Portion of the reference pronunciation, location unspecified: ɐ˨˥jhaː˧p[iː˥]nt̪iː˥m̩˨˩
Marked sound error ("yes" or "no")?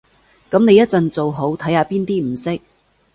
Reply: no